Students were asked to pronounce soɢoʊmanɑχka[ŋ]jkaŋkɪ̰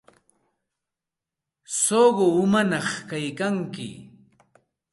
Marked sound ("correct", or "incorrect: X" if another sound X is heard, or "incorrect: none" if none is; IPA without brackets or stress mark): incorrect: none